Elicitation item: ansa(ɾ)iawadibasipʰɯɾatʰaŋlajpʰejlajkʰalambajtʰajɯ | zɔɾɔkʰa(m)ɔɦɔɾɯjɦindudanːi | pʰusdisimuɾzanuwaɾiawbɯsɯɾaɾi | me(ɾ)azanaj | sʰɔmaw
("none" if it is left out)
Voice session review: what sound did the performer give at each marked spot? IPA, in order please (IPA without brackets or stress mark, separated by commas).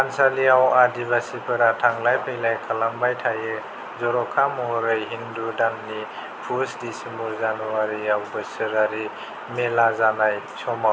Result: l, m, l